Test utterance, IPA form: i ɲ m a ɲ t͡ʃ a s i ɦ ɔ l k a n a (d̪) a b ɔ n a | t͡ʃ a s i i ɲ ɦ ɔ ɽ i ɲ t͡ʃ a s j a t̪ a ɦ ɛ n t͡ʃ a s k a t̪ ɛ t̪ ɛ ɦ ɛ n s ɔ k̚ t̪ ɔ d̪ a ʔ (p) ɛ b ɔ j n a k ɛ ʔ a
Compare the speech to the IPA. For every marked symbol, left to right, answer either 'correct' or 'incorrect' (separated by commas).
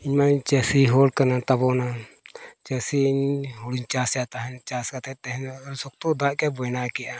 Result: incorrect, incorrect